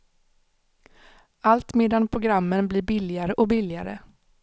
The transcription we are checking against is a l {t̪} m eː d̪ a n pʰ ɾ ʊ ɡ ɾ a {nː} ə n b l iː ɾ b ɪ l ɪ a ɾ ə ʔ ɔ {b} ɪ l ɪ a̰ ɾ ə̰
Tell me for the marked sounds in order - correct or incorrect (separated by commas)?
correct, incorrect, correct